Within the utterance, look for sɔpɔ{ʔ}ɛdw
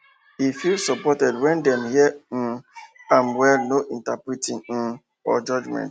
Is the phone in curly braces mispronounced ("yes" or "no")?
yes